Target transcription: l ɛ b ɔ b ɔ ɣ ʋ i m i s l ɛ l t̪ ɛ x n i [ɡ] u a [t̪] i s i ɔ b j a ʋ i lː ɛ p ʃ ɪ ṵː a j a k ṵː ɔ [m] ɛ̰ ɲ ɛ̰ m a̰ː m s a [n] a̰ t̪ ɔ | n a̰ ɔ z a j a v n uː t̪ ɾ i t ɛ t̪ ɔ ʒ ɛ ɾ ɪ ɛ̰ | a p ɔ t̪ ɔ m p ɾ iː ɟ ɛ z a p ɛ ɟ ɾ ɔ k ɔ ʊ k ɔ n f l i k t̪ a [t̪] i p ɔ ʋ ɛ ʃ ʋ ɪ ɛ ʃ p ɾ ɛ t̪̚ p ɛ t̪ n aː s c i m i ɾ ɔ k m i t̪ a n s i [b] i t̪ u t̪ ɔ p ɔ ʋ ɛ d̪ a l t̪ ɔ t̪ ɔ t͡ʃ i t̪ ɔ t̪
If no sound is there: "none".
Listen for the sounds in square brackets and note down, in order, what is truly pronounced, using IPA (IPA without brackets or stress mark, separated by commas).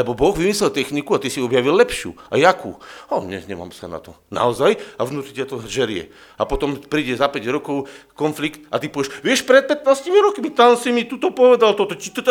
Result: k, t̪, ɲ, n, t̪, m